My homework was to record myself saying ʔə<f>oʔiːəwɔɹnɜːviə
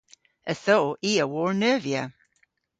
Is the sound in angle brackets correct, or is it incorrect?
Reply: incorrect